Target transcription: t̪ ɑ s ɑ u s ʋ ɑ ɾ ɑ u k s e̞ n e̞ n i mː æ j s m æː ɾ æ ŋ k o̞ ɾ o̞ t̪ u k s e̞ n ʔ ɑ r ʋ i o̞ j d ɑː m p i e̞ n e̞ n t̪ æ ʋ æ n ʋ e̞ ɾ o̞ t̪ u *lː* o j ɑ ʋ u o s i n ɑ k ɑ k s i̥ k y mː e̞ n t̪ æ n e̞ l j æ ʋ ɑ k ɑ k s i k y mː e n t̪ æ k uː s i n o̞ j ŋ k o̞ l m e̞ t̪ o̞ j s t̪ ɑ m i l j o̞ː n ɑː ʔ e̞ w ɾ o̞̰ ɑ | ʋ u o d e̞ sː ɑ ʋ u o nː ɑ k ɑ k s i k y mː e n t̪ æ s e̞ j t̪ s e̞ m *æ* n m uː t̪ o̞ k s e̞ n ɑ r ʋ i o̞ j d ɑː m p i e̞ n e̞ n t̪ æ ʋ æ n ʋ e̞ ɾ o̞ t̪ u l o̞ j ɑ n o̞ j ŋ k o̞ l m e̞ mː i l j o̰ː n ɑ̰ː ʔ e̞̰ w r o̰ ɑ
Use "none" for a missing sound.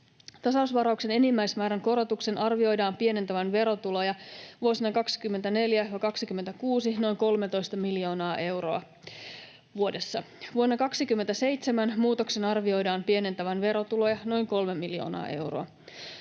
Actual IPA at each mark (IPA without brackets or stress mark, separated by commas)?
l, æ